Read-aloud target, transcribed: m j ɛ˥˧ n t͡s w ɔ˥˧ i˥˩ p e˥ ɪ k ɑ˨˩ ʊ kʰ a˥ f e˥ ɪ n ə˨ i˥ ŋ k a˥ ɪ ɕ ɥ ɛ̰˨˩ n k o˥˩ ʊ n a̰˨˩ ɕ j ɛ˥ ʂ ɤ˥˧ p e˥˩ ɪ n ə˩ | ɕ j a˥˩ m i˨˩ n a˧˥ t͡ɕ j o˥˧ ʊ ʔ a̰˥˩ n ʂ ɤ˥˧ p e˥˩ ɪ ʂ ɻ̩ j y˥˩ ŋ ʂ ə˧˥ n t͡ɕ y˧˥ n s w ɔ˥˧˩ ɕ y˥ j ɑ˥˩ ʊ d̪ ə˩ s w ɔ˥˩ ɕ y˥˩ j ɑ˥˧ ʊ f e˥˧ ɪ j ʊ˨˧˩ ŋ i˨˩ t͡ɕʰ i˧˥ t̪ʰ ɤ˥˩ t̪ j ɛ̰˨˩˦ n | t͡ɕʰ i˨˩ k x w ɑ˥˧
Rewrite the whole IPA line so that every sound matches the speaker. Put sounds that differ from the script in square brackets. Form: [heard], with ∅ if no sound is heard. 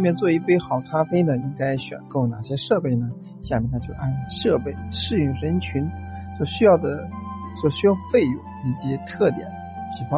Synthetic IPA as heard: m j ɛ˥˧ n t͡s w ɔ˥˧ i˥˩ p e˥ ɪ [x] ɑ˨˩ ʊ kʰ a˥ f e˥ ɪ n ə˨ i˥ ŋ k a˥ ɪ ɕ ɥ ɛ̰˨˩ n k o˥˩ ʊ n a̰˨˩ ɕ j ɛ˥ ʂ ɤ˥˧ p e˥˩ ɪ n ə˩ | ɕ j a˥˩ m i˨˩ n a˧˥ t͡ɕ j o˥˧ ʊ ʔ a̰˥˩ n ʂ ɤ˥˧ p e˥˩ ɪ ʂ ɻ̩ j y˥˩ ŋ ʂ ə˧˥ n [t͡ɕʰ] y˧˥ n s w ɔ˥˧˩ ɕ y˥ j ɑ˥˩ ʊ d̪ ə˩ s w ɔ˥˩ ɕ [y˥] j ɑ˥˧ ʊ f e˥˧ ɪ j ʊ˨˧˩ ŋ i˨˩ [t͡ɕ] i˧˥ t̪ʰ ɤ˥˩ t̪ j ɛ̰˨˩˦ n | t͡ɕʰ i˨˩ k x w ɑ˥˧